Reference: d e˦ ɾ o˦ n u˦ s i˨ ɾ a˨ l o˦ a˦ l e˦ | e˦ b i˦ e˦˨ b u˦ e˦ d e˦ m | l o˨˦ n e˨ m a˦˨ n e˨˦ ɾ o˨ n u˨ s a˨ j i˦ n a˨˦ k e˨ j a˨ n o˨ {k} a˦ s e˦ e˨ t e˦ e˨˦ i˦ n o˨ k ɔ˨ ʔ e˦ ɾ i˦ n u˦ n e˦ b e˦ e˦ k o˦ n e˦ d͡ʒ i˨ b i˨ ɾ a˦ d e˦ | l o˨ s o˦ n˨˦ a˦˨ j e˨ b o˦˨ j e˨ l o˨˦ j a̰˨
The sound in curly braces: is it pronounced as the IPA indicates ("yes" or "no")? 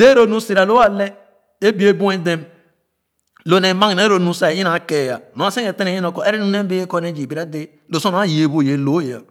no